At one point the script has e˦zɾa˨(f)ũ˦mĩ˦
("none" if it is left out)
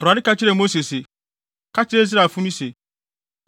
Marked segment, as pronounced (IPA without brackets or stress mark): f